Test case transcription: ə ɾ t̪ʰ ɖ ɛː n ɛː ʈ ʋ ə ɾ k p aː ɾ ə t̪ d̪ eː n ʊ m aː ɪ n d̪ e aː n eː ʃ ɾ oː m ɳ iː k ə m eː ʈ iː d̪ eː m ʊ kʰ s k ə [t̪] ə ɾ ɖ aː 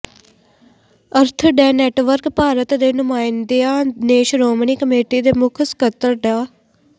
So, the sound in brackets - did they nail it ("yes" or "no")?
yes